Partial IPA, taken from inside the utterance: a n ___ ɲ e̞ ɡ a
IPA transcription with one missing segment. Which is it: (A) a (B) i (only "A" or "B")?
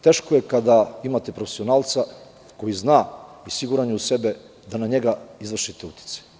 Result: A